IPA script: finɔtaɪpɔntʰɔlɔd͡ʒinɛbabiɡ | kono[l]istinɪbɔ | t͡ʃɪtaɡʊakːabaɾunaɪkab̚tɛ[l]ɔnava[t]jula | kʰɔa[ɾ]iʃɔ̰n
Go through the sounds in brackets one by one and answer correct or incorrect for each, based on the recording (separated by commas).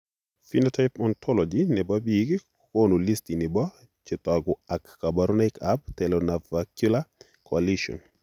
correct, correct, incorrect, incorrect